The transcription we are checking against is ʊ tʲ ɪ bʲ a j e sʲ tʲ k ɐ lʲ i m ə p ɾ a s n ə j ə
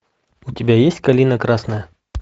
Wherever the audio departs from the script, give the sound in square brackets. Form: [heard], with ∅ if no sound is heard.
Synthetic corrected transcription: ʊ tʲ ɪ bʲ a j e sʲ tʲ k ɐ lʲ i [n] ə [k] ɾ a s n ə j ə